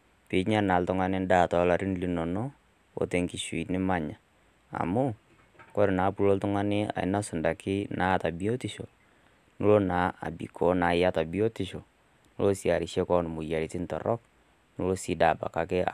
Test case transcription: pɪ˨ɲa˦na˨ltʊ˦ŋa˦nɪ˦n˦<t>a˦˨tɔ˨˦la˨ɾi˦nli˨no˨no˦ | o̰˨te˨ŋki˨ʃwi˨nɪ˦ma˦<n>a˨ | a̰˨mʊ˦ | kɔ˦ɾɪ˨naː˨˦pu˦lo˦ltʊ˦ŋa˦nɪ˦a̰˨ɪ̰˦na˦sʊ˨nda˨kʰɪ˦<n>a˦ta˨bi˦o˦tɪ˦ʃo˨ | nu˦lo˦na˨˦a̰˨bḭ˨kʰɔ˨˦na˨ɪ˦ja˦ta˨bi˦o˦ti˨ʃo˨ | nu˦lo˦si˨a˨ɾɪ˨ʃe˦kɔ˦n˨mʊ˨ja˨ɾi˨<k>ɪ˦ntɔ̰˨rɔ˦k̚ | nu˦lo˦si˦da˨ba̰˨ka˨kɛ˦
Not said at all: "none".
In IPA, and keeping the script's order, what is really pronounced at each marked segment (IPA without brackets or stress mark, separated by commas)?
d, ɲ, n, t